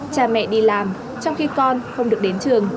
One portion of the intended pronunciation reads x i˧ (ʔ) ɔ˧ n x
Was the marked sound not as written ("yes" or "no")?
yes